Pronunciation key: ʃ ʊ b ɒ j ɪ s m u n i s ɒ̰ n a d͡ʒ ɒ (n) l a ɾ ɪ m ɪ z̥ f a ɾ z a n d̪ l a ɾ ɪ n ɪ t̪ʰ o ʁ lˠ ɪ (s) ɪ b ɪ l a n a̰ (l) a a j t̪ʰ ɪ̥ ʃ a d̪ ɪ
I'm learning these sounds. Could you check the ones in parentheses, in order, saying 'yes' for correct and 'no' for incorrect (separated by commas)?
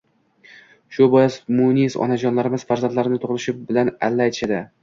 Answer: yes, no, no